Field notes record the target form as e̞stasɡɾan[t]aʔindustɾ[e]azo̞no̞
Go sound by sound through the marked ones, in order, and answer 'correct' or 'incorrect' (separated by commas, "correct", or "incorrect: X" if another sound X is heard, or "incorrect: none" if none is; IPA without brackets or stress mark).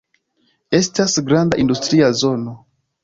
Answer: incorrect: d, incorrect: i